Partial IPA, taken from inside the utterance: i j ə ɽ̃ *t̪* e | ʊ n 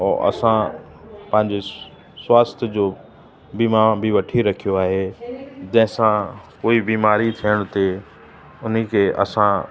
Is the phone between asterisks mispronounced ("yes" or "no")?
no